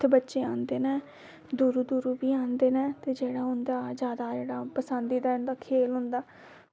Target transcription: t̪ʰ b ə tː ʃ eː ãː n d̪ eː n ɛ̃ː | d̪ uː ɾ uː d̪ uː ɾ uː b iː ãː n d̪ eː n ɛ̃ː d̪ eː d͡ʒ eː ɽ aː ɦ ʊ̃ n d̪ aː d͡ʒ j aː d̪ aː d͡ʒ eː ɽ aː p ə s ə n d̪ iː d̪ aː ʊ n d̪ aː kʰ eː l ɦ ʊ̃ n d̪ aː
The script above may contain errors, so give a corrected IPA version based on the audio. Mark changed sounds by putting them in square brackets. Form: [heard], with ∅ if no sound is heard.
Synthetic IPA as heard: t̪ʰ b ə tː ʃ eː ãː n d̪ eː n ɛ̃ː | d̪ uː ɾ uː d̪ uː ɾ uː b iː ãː n d̪ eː n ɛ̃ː [t̪] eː d͡ʒ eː ɽ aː ɦ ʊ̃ n d̪ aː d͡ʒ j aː d̪ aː d͡ʒ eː ɽ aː p ə s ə n d̪ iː d̪ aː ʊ n d̪ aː kʰ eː l ɦ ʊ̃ n d̪ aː

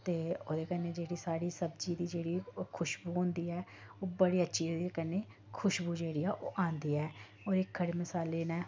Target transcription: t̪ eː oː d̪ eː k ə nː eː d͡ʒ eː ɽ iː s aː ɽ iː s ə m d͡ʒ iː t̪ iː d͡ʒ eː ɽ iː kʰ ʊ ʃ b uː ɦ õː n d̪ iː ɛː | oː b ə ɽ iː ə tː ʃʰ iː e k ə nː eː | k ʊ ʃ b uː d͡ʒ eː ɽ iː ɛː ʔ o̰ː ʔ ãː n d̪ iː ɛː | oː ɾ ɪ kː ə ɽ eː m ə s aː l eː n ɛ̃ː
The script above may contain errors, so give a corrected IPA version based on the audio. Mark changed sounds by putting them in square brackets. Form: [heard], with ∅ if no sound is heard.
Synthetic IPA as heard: t̪ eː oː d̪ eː k ə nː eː d͡ʒ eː ɽ iː s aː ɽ iː s ə [b] d͡ʒ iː [d̪] iː d͡ʒ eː ɽ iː kʰ ʊ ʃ b uː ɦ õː n d̪ iː ɛː | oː b ə ɽ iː ə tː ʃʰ iː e k ə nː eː | [kʰ] ʊ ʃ b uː d͡ʒ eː ɽ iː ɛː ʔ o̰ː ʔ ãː n d̪ iː ɛː | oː ɾ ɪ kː ə ɽ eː m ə s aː l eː n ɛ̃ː

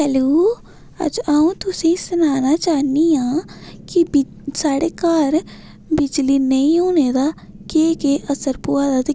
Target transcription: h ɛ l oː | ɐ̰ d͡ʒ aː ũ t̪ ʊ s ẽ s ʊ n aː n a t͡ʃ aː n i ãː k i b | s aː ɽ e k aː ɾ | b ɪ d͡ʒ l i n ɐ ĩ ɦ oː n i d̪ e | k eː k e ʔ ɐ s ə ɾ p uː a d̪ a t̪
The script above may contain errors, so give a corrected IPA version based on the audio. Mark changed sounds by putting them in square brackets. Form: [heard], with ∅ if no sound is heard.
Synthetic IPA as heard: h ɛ l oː | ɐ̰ d͡ʒ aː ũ t̪ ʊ s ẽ s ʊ n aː n a t͡ʃ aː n i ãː k i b | s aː ɽ e k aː ɾ | b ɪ d͡ʒ l i n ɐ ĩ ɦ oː n [e] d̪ [a] | k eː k e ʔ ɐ s ə ɾ p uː a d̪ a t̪

